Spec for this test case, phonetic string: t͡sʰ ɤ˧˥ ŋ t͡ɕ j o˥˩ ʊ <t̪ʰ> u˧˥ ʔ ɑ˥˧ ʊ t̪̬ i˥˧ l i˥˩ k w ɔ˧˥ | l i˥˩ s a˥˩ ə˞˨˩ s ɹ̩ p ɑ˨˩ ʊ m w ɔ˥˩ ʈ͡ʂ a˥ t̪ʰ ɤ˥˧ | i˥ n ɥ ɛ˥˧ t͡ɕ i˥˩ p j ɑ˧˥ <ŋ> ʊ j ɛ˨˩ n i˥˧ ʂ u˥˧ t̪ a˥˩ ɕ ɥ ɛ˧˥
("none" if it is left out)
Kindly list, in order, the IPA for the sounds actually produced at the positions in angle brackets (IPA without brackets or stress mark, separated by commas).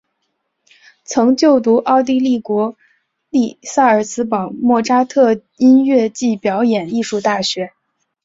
t̪, none